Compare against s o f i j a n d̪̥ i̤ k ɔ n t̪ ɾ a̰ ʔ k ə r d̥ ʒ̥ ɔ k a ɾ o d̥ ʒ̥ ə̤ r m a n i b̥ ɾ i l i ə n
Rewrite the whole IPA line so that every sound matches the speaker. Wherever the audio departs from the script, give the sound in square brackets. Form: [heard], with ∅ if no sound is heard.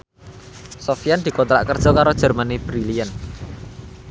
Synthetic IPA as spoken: s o f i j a n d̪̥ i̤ k ɔ n t̪ ɾ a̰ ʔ k ə r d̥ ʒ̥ ɔ k a ɾ o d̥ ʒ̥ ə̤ r m a n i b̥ ɾ i l i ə n